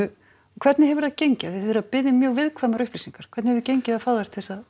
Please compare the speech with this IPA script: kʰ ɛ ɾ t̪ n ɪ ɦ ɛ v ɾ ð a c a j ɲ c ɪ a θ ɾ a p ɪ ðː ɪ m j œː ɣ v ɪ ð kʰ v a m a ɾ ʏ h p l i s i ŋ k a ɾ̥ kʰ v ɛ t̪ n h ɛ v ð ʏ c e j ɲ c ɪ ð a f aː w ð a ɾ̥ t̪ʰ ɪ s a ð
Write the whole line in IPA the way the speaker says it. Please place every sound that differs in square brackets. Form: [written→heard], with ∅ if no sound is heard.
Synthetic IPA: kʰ ɛ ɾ t̪ n ɪ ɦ ɛ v ɾ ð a c [a→e] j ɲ c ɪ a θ ɾ a p ɪ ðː ɪ m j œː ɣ v ɪ ð kʰ v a m a ɾ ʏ h p l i s i ŋ k a ɾ̥ kʰ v ɛ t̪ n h ɛ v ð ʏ c e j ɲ c ɪ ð a f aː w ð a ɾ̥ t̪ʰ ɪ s a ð